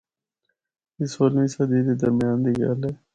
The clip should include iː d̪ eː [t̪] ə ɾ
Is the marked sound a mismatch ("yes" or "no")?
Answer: yes